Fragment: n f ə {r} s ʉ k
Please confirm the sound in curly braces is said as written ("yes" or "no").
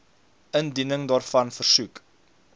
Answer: yes